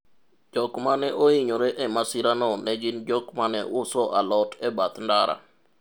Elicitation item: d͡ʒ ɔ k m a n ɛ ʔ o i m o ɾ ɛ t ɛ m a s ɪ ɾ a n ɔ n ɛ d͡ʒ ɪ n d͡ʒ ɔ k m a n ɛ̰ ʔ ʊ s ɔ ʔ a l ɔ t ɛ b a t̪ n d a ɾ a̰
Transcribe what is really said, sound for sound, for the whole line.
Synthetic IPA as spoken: d͡ʒ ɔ k m a n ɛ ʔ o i ɲ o ɾ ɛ ʔ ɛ m a s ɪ ɾ a n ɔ n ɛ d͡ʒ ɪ n d͡ʒ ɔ k m a n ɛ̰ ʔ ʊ s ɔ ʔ a l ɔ t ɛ b a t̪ n d a ɾ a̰